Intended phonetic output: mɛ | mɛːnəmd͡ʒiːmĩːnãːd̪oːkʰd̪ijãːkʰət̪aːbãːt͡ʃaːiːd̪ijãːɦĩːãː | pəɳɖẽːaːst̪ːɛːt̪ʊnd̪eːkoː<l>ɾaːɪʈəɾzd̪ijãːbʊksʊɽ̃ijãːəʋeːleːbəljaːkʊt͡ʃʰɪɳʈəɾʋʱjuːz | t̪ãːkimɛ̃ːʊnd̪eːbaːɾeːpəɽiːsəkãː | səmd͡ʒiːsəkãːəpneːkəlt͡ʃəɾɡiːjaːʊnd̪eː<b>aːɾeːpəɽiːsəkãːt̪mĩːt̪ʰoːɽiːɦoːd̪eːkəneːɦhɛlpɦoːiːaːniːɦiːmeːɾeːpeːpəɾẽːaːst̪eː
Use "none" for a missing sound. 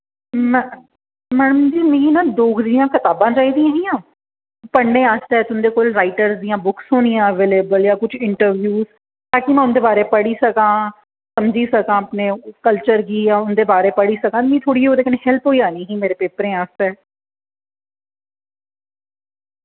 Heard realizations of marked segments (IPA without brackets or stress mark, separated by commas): l, b